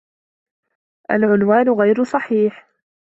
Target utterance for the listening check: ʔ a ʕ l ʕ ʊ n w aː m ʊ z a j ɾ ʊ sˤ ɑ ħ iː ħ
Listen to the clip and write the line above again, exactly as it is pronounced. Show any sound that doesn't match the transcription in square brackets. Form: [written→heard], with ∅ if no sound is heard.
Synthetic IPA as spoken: ʔ a [ʕ→∅] l ʕ ʊ n w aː [m→n] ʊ [z→ɣ] a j ɾ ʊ sˤ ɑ ħ iː ħ